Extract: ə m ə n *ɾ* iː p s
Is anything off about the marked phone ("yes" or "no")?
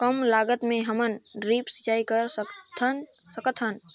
no